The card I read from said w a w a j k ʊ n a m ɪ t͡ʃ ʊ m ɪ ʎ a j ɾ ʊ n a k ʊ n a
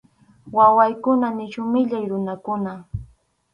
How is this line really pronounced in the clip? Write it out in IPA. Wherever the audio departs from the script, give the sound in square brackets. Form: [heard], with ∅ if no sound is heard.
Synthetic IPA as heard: w a w a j k ʊ n a [n] ɪ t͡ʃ ʊ m ɪ ʎ a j ɾ ʊ n a k ʊ n a